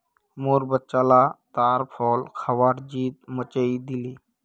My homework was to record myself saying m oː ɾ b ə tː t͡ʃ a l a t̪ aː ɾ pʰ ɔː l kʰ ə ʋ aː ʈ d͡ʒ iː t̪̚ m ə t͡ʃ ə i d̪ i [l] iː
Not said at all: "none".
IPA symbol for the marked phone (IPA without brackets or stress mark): l